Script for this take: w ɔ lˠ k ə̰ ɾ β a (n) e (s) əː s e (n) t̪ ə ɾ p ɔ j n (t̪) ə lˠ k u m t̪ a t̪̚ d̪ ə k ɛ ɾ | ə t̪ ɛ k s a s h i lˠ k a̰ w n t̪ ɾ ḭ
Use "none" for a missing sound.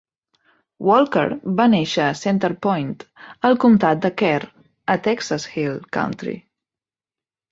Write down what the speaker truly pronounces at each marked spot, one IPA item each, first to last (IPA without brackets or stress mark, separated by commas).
n, ʃ, n, t̪